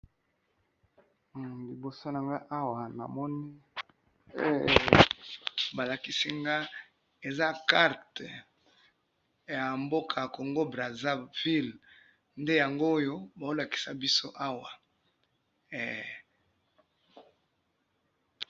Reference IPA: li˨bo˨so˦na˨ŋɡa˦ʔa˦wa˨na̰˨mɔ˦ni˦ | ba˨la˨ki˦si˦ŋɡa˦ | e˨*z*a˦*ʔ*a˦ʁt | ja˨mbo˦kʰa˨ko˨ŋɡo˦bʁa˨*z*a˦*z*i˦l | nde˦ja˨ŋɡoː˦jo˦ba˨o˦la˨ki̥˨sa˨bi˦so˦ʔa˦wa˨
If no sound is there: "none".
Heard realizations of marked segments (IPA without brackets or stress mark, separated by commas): z, k, z, v